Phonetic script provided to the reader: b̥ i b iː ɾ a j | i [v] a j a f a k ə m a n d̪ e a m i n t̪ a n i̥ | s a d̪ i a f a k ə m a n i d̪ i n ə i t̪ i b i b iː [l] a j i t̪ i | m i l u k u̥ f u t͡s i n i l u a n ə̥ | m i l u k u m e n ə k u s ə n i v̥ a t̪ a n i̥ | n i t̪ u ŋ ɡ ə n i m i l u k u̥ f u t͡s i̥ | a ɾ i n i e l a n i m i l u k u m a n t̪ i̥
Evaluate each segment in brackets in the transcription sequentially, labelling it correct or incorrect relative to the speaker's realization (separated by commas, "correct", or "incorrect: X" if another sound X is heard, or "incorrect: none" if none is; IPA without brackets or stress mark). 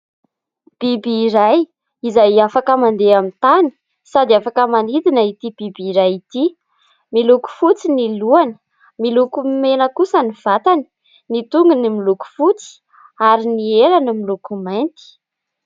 incorrect: z, incorrect: ɾ